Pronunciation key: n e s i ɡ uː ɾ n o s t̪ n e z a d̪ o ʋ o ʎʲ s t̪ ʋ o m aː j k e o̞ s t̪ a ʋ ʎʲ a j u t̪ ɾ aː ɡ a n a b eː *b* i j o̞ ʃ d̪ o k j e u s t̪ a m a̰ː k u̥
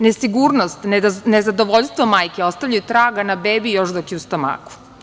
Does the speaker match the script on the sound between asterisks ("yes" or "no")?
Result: yes